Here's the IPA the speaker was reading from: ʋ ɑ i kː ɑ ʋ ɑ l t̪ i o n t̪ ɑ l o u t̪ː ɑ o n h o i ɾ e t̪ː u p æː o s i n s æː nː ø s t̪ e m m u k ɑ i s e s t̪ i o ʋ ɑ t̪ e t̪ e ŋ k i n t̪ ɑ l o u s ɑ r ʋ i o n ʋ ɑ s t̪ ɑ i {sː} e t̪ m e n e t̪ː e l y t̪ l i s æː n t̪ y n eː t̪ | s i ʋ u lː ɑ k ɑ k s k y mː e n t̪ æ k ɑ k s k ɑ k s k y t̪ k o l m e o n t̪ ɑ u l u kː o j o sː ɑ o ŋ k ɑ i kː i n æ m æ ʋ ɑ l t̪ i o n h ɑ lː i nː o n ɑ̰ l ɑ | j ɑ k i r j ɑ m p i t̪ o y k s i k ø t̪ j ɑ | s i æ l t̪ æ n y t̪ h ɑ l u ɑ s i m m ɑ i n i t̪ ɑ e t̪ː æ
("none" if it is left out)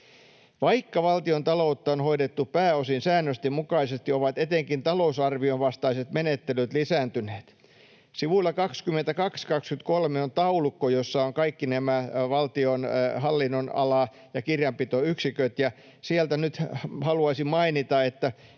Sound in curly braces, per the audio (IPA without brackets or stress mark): s